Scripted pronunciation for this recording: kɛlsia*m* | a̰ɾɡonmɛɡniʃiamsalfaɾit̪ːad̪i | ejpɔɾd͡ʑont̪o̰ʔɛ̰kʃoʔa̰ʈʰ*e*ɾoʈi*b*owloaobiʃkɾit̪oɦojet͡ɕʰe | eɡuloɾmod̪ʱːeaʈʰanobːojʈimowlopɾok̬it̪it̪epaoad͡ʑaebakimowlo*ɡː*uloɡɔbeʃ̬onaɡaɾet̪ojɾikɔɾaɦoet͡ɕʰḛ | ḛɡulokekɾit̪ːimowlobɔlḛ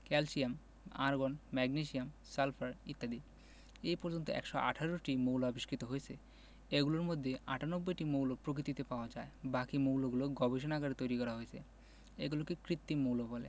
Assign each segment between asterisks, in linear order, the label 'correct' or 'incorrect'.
correct, incorrect, incorrect, incorrect

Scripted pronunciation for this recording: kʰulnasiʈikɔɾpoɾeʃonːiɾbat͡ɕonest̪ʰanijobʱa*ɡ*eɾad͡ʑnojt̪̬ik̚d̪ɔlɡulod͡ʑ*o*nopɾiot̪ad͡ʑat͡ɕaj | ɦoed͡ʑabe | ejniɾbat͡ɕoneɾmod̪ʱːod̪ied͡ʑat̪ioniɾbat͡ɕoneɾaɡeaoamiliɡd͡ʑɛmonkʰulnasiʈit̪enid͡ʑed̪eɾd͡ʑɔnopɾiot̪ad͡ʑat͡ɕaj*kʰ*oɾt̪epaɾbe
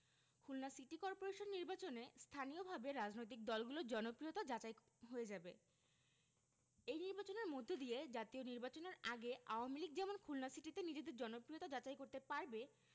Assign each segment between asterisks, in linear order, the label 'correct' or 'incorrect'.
incorrect, incorrect, incorrect

